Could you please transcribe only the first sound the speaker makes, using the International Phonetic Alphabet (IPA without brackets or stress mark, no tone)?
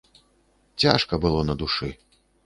t͡sʲ